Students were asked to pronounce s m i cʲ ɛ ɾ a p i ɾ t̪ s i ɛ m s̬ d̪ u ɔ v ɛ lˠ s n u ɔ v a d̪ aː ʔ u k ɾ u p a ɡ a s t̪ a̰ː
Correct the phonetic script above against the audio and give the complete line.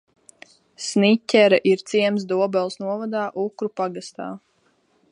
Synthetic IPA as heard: s n i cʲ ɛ ɾ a ʔ i ɾ t̪ s i ɛ m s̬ d̪ u ɔ b ɛ lˠ s n u ɔ v a d̪ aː ʔ u k ɾ u p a ɡ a s t̪ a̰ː